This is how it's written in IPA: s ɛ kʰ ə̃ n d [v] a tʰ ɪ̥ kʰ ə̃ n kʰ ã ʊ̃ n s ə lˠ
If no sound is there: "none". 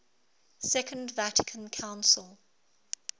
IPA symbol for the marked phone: v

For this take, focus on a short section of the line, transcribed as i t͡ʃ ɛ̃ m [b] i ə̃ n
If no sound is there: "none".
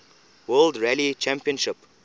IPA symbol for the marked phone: p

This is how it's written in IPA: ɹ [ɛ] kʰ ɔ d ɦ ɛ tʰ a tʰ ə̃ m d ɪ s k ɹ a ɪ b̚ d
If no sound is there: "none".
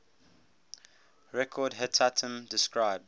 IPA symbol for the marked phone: ɛ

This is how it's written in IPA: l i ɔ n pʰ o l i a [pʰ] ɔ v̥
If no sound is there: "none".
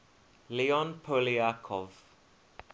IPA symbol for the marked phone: kʰ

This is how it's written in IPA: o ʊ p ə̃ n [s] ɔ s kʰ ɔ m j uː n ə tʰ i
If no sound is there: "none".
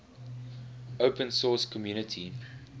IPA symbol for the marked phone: s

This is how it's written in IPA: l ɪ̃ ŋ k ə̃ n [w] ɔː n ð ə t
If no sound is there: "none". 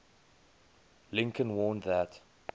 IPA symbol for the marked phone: w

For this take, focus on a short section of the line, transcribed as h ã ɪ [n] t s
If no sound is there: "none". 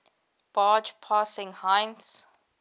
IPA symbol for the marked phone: n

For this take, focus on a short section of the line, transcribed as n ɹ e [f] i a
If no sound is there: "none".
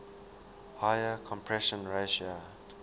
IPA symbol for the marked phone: ʃ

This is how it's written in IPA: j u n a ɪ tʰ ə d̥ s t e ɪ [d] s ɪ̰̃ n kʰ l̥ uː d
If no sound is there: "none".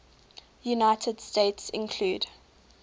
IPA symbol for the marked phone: t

